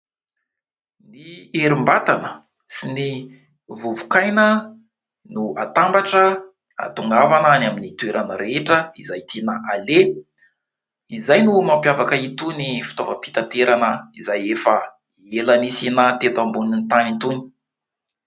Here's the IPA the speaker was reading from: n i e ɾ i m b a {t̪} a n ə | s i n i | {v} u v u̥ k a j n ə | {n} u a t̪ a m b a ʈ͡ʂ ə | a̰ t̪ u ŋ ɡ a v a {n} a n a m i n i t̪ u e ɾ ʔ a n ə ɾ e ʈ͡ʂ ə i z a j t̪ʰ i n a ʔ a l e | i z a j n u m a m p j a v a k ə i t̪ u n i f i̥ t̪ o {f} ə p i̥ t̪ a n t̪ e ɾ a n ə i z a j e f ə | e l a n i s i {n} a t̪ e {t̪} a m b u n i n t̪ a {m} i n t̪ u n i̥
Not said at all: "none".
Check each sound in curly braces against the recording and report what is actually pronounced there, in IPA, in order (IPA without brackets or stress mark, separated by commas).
t̪, v, n, n, v, n, t̪, n